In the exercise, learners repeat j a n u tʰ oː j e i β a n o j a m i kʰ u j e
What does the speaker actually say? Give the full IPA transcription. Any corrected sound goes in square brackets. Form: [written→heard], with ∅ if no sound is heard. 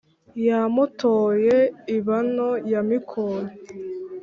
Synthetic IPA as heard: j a [n→m] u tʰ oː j e i β a n o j a m i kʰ [u→o] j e